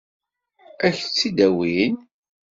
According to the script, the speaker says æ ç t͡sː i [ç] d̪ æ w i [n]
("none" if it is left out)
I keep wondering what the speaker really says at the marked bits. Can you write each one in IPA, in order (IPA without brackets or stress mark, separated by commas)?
none, n